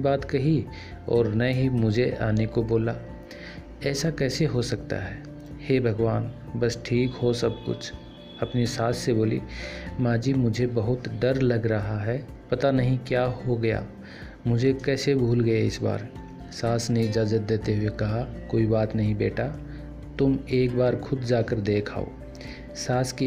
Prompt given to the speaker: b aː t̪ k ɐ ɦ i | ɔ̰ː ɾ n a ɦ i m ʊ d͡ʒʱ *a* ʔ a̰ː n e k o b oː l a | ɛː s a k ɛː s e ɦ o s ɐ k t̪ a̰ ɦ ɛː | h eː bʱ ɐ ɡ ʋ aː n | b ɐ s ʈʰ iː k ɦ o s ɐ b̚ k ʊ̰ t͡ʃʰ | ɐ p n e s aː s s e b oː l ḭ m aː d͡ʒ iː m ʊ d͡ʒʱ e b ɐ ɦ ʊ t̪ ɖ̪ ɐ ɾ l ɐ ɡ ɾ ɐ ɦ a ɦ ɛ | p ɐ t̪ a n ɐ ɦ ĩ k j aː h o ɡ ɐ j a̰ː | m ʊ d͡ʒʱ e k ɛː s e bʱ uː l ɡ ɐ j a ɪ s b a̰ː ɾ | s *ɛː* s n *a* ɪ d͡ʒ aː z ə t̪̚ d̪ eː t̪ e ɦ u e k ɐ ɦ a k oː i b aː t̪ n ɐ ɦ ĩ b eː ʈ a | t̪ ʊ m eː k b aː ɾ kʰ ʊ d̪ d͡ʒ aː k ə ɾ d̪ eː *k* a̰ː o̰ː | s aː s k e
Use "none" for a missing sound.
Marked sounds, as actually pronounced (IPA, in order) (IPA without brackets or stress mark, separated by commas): e, aː, e, kʰ